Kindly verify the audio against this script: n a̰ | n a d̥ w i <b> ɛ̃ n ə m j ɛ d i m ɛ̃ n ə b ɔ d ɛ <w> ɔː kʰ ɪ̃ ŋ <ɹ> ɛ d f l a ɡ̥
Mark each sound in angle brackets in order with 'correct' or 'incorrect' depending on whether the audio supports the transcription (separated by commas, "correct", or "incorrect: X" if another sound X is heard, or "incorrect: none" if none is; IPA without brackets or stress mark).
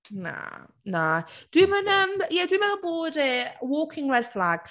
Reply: incorrect: m, correct, correct